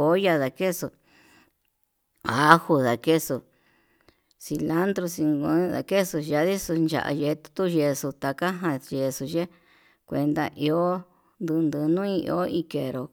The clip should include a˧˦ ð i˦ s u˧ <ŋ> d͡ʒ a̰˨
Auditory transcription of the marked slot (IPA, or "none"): n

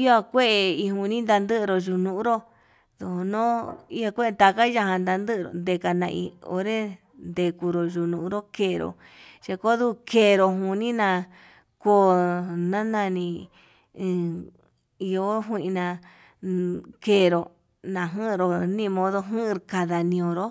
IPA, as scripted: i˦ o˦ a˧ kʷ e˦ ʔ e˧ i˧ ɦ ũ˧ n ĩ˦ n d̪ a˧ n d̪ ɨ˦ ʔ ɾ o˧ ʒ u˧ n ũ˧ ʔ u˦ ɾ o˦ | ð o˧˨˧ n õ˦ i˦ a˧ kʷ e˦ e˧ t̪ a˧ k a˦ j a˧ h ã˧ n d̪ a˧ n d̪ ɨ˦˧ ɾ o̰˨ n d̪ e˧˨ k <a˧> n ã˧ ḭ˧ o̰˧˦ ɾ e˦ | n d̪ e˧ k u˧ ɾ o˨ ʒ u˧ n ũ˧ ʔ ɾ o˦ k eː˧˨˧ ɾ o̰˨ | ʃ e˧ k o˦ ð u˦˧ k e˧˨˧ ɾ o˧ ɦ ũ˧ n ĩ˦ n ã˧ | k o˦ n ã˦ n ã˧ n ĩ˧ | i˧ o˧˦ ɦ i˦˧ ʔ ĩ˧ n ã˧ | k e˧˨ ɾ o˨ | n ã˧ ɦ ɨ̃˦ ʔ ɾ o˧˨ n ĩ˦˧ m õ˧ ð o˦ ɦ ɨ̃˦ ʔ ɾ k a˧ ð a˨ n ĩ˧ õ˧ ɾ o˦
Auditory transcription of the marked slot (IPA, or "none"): a˧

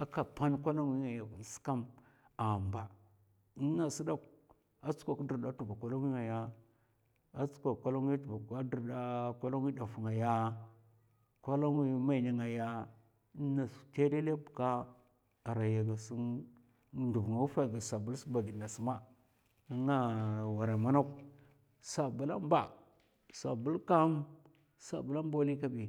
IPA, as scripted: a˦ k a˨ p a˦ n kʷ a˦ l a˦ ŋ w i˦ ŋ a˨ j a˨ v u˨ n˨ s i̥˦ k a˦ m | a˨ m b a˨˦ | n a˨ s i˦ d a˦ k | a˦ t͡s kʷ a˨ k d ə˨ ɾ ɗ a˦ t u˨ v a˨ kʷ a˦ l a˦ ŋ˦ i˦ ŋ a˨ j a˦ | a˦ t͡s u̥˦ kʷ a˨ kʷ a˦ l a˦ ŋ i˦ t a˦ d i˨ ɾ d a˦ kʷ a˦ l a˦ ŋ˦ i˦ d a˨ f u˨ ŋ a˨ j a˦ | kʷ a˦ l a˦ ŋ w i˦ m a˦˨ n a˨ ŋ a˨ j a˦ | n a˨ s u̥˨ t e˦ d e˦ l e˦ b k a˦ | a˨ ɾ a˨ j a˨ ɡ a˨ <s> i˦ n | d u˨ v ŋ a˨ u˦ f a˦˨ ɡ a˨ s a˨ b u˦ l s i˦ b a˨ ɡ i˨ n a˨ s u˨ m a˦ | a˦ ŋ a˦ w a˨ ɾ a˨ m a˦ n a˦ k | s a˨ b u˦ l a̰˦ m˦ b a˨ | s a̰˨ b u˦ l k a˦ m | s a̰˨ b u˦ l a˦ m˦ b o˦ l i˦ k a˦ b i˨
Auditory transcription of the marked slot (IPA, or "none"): s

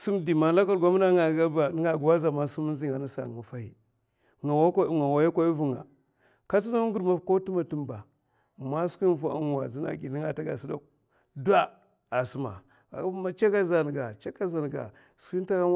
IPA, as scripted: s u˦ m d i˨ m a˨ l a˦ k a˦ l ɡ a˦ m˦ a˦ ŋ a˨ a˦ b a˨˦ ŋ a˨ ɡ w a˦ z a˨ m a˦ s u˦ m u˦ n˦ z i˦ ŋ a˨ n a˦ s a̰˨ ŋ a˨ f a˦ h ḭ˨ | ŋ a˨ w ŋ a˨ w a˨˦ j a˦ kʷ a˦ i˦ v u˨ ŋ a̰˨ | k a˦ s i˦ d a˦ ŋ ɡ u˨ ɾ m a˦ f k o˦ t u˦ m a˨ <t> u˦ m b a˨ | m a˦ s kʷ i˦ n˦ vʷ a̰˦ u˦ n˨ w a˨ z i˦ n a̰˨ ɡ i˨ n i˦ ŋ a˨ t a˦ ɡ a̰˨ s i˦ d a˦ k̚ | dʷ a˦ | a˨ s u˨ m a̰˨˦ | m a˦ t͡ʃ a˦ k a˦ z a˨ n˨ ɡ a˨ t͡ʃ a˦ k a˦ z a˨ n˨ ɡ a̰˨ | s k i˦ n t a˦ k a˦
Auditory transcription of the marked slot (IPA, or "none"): t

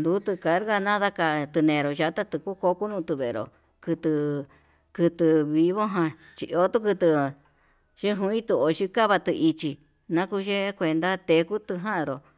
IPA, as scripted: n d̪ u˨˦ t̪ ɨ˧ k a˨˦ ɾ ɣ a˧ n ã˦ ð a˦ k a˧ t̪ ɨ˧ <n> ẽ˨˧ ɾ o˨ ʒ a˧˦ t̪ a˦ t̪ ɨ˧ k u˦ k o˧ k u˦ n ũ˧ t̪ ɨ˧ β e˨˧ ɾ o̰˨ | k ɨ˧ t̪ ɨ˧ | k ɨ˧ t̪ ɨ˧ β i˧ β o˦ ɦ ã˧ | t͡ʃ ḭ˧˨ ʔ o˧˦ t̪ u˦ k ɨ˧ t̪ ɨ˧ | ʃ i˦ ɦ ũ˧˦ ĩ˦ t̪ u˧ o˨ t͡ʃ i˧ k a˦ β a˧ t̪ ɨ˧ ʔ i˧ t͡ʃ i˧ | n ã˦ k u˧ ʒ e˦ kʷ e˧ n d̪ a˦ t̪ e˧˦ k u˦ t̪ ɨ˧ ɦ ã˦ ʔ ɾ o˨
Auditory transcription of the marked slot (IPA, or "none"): n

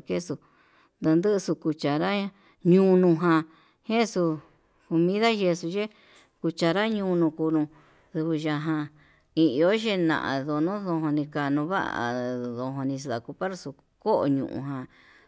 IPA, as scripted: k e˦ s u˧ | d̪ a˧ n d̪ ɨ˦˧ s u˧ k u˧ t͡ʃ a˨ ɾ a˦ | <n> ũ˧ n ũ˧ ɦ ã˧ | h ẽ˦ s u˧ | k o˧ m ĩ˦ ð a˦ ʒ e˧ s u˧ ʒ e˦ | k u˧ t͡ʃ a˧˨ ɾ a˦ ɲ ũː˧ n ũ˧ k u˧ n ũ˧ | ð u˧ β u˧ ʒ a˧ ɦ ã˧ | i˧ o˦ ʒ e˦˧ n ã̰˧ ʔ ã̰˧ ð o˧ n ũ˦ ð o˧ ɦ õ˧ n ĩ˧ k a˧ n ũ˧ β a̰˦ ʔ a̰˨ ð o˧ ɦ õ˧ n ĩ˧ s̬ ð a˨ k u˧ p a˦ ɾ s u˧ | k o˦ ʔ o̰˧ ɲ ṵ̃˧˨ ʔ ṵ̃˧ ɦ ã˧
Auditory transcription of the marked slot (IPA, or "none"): ɲ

